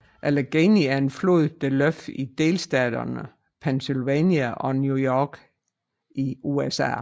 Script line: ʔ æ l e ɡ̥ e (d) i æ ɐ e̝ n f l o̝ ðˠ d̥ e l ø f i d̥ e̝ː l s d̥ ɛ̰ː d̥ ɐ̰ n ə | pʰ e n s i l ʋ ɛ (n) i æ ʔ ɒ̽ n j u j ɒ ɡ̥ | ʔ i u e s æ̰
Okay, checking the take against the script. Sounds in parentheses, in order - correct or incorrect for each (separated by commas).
incorrect, correct